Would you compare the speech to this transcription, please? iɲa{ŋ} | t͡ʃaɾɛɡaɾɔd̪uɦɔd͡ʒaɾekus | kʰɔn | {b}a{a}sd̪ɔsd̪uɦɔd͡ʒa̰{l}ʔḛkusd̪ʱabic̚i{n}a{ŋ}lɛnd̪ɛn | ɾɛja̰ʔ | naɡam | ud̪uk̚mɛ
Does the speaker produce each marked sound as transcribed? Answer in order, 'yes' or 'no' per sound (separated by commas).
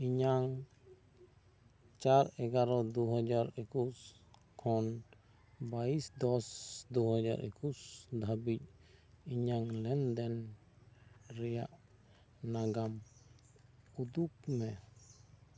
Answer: yes, yes, no, no, no, yes